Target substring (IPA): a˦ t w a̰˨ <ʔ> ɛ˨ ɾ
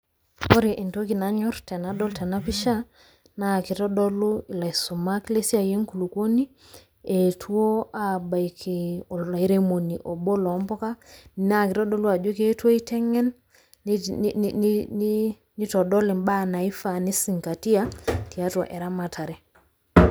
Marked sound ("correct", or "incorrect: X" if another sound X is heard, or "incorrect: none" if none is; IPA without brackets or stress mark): correct